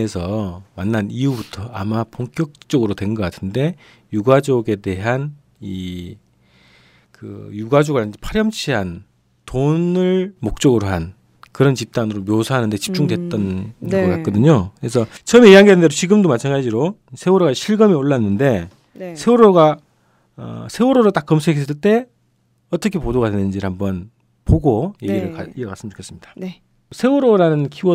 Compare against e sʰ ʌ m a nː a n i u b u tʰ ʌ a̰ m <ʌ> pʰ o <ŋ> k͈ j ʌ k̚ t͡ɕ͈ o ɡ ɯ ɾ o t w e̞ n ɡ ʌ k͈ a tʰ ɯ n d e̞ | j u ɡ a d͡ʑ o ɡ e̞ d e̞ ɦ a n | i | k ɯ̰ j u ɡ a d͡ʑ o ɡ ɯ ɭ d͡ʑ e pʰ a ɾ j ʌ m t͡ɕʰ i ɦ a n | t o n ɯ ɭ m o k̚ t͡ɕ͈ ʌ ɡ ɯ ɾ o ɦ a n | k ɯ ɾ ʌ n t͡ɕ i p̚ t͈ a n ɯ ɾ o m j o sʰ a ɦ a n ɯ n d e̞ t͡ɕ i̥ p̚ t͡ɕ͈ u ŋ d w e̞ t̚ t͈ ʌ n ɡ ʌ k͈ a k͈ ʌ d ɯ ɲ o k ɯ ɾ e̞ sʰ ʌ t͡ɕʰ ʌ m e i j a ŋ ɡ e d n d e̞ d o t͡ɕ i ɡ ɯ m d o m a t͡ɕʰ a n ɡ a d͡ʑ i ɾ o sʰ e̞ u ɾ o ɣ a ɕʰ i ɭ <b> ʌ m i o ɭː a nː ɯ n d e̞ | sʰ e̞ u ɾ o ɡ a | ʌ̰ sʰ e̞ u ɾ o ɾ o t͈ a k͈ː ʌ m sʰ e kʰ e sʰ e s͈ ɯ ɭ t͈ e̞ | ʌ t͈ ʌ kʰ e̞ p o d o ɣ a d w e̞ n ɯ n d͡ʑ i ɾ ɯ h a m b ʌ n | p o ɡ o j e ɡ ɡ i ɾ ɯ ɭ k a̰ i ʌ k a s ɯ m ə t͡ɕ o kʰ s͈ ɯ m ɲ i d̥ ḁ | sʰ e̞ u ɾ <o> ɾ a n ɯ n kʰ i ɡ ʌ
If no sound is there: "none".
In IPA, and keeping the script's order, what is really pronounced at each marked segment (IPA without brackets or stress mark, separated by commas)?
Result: a, ŋ, ɡ, o